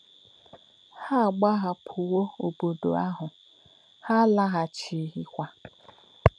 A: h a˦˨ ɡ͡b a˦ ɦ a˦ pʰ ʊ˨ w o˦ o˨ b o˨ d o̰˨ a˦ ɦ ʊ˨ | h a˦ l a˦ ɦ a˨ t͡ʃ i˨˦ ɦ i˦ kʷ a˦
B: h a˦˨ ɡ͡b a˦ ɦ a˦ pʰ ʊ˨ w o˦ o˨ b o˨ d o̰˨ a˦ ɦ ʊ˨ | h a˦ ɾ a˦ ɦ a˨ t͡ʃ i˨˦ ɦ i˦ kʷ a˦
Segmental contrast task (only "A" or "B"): A